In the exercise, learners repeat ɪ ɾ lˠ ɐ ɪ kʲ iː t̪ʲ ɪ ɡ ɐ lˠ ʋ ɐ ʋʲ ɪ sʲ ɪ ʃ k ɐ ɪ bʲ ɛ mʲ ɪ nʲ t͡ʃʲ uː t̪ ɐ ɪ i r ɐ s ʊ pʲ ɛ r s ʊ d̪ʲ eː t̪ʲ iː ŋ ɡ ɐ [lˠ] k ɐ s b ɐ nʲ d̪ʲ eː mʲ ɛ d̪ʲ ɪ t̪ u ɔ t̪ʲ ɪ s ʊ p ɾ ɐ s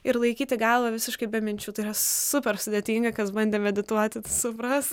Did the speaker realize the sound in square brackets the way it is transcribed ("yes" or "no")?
no